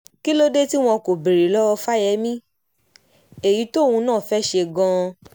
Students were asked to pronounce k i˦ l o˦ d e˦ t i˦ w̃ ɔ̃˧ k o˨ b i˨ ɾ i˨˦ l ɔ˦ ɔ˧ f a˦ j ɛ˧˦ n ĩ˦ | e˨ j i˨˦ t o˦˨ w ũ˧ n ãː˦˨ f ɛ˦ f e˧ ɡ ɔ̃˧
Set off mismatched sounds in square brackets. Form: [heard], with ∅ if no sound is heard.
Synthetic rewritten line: k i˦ l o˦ d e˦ t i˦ w̃ ɔ̃˧ k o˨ b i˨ ɾ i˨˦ l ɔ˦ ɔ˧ f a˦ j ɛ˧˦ [m] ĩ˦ | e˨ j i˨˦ t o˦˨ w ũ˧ n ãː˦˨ f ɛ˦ [ʃ] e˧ ɡ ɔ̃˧